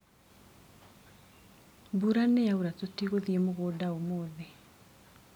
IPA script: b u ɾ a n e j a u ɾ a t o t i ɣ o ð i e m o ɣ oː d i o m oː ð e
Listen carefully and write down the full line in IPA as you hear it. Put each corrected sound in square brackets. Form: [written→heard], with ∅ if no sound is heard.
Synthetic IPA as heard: b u ɾ a n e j a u ɾ a t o t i ɣ o ð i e m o ɣ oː d [i→a] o m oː ð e